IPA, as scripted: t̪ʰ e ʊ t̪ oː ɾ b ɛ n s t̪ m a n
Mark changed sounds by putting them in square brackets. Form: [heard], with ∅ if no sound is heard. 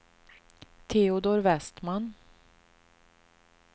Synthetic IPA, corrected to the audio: t̪ʰ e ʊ [d̪] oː ɾ [v] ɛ [∅] s t̪ m a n